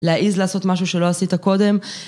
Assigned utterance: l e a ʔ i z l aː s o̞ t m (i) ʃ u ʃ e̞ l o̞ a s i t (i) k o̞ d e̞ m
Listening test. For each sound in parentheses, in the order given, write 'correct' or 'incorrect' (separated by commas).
incorrect, incorrect